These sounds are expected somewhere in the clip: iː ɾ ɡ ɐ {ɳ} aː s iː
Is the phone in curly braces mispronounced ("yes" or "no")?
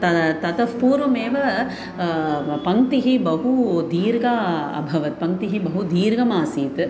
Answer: yes